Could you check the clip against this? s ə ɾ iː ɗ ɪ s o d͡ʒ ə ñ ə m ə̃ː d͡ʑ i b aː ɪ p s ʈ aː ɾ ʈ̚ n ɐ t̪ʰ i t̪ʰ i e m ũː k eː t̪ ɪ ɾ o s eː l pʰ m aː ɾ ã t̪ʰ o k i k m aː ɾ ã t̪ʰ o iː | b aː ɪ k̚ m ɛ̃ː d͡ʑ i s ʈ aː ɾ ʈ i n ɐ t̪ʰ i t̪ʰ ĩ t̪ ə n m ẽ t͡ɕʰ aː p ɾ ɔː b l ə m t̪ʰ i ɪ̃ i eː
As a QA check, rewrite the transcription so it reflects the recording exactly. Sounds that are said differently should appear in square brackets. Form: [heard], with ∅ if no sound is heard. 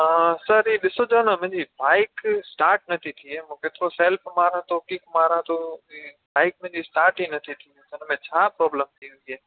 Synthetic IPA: s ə ɾ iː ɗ ɪ s o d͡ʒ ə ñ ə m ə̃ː d͡ʑ i b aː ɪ [k] s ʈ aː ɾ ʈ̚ n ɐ t̪ʰ i t̪ʰ i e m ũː k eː t̪ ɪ ɾ o s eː l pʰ m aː ɾ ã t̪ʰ o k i k m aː ɾ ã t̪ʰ o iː | b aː ɪ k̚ m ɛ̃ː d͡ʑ i s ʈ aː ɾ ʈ i n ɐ t̪ʰ i t̪ʰ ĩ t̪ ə n m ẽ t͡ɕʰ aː p ɾ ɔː b l ə m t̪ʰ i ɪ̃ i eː